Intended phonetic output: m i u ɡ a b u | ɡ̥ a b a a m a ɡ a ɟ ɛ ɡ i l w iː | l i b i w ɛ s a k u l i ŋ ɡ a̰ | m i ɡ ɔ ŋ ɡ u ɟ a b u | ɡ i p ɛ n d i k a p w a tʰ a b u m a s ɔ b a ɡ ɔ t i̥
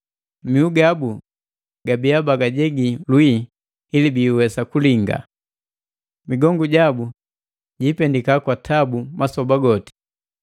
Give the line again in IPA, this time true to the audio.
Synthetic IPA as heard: m i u ɡ a b u | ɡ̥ a b i a b a ɡ a ɟ ɛ ɡ i l w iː | l i b i w ɛ s a k u l i ŋ ɡ a̰ | m i ɡ ɔ ŋ ɡ u ɟ a b u | ɟ i p ɛ n d i k a k w a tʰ a b u m a s ɔ b a ɡ ɔ t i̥